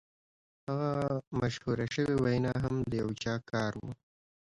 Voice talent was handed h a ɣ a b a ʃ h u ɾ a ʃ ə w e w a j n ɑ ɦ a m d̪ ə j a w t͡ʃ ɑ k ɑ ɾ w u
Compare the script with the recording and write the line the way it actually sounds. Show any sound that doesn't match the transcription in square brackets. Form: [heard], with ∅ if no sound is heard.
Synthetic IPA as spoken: h a ɣ a [m] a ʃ h u ɾ a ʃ ə w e w a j n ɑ ɦ a m d̪ ə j a w t͡ʃ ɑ k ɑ ɾ w u

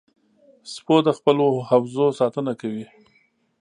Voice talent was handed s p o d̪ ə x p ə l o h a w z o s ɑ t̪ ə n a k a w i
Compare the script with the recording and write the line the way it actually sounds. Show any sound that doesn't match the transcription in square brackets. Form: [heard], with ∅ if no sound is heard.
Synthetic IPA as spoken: s p o d̪ ə x p ə l o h a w z o s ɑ t̪ ə n a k a w i

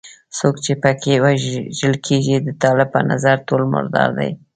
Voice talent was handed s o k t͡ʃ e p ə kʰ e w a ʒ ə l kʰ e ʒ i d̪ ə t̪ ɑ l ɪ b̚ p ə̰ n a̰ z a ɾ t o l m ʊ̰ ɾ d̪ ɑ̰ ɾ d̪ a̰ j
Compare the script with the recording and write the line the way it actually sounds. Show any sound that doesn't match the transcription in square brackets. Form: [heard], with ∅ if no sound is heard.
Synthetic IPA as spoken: s o k t͡ʃ e p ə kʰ e w a ʒ ə l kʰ e ʒ i d̪ ə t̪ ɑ l ɪ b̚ p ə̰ n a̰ z a ɾ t o l m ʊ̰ ɾ d̪ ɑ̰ ɾ d̪ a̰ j

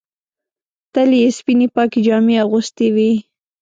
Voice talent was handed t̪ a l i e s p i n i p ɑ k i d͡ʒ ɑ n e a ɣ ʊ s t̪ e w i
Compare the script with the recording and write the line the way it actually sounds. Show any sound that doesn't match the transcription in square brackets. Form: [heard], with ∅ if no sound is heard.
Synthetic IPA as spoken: t̪ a l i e s p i n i p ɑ k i d͡ʒ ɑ [m] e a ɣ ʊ s t̪ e w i

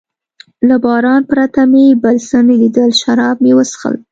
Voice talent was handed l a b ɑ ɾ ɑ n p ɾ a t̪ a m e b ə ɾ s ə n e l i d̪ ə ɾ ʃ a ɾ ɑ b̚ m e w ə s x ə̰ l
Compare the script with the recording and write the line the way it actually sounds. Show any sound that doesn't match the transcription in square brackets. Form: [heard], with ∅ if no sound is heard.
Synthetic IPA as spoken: l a b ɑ ɾ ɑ n p ɾ a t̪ a m e b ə [l] s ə n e l i d̪ ə [l] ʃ a ɾ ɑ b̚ m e w ə s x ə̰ l

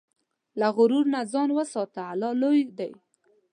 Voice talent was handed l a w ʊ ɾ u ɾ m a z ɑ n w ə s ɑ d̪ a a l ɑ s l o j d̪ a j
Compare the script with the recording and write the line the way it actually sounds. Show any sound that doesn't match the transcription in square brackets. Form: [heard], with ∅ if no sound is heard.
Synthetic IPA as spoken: l a [ɣ] ʊ ɾ u ɾ [n] a z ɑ n w ə s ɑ [t̪] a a l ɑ [∅] l o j d̪ a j

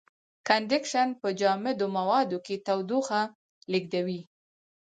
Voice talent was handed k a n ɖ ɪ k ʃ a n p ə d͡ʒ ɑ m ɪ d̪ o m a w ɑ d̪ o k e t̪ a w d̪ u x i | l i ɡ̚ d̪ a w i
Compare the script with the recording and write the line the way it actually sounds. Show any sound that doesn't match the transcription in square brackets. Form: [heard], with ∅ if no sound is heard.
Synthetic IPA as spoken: k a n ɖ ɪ k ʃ a n p ə d͡ʒ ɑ m ɪ d̪ o m a w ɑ d̪ o k e t̪ a w d̪ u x [a] | l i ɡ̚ d̪ a w i

